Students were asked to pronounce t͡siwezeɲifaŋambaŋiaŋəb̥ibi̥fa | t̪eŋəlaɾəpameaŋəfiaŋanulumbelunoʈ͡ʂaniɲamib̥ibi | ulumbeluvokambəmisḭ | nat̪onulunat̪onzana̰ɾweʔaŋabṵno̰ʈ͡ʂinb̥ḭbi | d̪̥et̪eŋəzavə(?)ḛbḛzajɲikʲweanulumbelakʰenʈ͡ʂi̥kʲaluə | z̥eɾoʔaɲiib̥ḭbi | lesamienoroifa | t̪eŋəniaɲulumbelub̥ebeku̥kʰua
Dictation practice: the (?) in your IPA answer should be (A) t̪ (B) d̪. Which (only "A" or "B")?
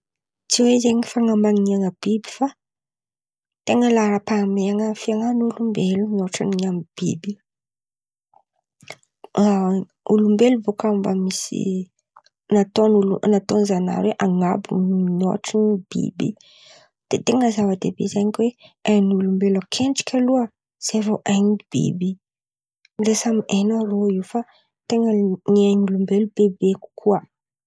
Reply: B